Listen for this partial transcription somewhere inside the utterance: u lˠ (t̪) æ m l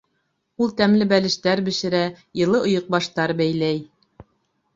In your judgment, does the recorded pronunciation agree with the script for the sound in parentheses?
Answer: yes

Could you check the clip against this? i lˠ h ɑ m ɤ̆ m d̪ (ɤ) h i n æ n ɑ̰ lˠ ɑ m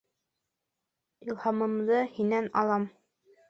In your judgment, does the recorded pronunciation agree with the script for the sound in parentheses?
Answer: yes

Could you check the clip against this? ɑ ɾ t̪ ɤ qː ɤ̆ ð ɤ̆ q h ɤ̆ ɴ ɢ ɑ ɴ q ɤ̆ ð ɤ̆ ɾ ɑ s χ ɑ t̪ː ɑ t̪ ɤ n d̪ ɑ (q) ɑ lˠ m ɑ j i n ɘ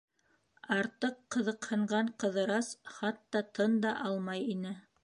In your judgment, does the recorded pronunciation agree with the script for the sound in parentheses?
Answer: no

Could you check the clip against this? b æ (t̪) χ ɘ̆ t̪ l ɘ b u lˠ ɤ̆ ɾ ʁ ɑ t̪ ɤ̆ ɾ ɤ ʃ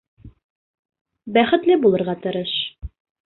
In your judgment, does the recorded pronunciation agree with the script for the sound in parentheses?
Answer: no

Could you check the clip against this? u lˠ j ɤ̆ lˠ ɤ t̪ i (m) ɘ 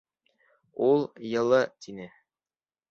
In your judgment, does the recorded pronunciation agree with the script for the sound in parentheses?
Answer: no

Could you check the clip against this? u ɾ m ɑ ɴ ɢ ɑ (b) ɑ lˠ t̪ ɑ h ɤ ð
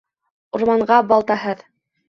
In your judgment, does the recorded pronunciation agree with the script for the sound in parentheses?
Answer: yes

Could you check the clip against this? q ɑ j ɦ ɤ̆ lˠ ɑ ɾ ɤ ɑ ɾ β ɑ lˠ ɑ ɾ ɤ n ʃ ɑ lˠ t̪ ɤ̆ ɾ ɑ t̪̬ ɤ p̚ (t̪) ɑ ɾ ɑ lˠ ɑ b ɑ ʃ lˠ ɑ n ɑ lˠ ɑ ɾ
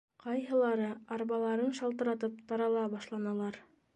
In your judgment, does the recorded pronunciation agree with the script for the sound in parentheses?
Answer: yes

